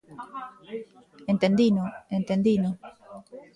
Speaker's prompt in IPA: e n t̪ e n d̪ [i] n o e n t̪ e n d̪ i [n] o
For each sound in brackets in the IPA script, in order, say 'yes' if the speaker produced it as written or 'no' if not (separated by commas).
yes, yes